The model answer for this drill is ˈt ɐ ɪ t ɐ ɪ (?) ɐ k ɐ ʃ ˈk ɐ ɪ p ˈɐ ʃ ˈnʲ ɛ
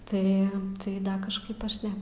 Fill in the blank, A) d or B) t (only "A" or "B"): A